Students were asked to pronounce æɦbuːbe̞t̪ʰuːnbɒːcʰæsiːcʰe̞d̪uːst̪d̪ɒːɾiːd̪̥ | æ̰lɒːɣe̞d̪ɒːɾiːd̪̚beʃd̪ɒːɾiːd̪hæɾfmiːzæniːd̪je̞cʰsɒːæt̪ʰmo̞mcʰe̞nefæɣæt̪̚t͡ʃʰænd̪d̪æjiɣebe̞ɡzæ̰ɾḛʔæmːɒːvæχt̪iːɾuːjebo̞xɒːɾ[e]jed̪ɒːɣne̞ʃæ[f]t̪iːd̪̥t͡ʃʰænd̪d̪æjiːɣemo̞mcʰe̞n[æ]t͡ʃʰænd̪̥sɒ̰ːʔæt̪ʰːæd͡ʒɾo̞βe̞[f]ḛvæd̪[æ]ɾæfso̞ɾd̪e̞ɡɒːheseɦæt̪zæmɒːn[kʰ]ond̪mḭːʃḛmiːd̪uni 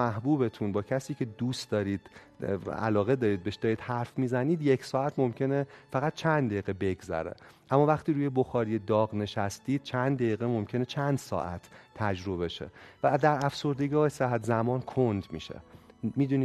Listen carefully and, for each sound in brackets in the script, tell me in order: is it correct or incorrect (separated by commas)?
incorrect, incorrect, incorrect, incorrect, correct, correct